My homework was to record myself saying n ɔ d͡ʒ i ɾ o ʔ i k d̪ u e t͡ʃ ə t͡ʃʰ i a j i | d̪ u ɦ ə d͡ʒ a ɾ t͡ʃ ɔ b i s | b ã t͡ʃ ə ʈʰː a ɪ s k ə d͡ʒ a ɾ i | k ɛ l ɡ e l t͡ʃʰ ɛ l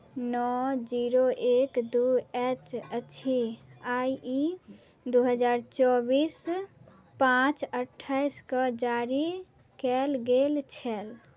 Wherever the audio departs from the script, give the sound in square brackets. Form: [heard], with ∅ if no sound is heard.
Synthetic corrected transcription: n ɔ d͡ʒ i ɾ o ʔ [e] k d̪ u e t͡ʃ ə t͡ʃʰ i a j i | d̪ u ɦ ə d͡ʒ a ɾ t͡ʃ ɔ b i s | [p] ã t͡ʃ ə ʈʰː a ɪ s k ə d͡ʒ a ɾ i | k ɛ l ɡ e l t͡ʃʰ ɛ l